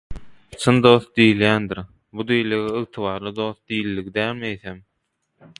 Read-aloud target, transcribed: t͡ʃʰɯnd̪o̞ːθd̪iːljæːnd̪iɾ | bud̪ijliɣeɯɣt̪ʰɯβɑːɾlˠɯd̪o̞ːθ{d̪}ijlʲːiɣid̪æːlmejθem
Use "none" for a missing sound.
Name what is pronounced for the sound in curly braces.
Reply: d̪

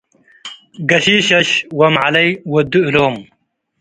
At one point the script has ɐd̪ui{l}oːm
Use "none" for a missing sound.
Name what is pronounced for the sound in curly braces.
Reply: l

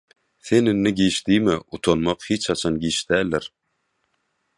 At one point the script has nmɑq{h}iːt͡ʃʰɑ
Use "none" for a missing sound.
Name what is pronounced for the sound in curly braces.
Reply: h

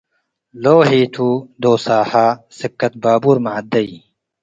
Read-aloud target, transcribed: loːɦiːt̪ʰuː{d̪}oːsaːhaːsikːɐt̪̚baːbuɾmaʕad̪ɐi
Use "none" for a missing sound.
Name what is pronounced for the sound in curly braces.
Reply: d̪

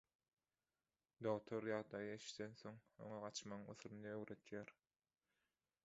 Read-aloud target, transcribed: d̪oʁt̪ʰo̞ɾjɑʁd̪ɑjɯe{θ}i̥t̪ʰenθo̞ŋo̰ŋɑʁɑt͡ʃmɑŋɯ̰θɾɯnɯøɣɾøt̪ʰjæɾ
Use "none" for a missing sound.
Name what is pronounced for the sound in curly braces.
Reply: ʃ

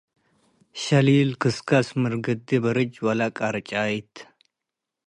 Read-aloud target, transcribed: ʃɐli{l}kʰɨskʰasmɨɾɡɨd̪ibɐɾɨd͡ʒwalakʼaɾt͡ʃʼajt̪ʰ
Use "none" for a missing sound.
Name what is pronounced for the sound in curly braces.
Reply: l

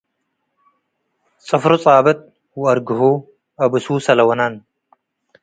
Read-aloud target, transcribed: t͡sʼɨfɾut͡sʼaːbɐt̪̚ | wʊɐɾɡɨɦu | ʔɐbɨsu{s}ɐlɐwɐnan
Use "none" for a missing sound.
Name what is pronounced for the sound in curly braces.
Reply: s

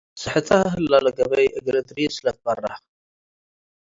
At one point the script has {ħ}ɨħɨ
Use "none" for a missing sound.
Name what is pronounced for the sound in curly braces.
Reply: s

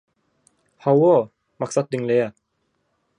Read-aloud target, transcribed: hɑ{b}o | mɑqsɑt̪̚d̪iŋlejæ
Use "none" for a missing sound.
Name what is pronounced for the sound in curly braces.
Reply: w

